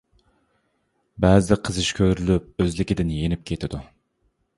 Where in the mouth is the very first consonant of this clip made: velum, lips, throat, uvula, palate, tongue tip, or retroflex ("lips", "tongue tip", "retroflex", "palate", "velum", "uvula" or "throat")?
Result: lips